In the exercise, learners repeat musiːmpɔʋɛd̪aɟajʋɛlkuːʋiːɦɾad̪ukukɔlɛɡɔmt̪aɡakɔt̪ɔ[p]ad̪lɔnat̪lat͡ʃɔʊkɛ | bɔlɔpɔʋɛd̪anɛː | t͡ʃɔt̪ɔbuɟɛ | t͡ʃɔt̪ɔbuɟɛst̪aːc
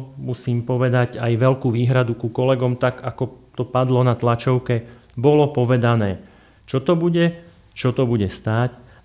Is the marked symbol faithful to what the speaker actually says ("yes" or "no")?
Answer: yes